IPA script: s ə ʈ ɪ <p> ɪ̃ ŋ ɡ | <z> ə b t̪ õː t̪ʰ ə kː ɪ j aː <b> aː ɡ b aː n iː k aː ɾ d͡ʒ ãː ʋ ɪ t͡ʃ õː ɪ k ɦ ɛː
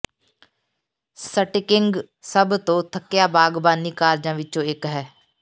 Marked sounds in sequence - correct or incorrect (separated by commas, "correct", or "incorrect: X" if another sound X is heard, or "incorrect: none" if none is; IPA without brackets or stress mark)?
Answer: incorrect: k, incorrect: s, correct